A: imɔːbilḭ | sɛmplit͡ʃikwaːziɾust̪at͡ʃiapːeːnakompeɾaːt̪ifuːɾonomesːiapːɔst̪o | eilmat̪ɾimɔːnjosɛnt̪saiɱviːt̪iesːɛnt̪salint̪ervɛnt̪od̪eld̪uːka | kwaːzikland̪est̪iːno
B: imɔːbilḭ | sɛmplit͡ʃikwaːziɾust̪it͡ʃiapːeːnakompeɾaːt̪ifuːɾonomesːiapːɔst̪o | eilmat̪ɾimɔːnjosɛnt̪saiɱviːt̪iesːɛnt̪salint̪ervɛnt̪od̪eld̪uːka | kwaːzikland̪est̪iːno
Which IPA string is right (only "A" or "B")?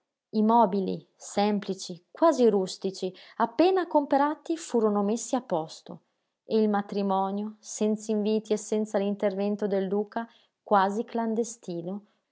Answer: B